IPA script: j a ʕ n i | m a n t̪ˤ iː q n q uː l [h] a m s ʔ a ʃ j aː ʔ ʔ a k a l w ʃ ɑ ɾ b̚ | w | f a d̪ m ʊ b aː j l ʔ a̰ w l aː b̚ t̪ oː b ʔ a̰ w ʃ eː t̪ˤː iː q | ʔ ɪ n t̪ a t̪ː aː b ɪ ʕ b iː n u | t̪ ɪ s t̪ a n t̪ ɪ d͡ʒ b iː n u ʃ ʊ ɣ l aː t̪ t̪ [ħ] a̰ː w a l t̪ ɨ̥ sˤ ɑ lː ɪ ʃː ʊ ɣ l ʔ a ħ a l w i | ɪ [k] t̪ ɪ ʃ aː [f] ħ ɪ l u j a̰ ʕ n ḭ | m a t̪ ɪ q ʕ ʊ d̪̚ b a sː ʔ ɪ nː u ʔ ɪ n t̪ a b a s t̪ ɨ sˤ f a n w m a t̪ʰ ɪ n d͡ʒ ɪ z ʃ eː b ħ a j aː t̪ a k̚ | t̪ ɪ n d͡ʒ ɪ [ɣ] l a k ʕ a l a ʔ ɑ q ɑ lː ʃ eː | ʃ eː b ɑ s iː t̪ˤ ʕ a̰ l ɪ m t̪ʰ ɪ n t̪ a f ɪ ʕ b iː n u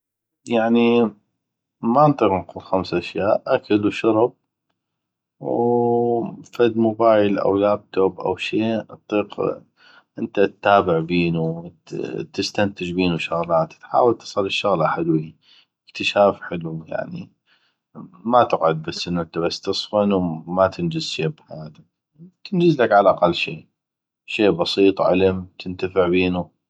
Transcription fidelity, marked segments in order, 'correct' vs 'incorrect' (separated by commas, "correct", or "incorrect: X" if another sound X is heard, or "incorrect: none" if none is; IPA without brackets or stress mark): incorrect: x, correct, correct, correct, incorrect: z